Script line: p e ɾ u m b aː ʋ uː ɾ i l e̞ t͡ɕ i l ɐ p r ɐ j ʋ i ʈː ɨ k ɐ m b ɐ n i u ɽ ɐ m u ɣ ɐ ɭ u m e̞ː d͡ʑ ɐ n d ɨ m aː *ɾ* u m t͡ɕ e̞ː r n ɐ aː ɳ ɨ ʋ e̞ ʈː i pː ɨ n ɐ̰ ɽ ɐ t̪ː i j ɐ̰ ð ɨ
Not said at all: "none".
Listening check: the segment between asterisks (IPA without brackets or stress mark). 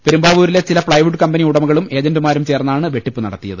ɾ